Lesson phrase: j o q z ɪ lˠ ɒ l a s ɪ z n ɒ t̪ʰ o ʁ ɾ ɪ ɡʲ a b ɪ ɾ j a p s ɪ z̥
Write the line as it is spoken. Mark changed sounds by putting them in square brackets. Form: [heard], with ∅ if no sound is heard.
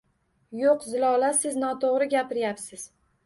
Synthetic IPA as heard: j o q z ɪ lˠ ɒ l a s ɪ z n ɒ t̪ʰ o ʁ ɾ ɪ ɡʲ a [p] ɪ ɾ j a p s ɪ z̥